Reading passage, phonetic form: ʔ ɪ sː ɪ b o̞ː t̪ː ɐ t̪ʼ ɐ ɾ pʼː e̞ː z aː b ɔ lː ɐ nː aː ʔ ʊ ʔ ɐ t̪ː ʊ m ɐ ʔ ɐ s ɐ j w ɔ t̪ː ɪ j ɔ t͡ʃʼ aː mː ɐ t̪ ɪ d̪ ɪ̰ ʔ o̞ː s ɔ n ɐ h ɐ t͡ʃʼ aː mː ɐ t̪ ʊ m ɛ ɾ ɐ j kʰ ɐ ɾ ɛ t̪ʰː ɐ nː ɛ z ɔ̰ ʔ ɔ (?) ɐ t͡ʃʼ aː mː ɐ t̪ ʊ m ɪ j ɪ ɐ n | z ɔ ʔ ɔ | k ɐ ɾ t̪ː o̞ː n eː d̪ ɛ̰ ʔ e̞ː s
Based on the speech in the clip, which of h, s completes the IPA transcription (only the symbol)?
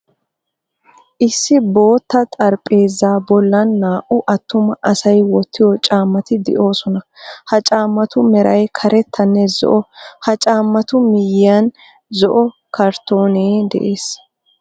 h